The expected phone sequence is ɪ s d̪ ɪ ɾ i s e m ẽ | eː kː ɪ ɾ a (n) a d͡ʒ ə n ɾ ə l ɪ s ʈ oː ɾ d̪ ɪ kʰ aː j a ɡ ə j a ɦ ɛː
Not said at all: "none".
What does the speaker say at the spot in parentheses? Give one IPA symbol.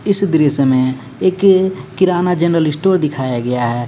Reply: n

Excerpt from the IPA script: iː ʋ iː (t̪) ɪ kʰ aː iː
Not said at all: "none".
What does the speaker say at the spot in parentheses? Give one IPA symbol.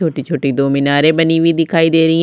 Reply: d̪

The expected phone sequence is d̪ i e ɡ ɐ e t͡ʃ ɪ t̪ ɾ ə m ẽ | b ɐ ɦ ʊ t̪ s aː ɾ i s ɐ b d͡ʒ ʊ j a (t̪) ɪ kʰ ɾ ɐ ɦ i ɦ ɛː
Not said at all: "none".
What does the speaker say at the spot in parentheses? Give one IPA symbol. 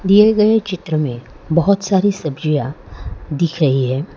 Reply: d̪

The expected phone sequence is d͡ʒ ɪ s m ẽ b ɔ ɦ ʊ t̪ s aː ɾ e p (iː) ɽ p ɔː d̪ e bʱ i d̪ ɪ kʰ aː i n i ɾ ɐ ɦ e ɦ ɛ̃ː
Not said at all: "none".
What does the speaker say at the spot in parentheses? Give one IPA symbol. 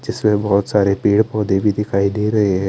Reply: iː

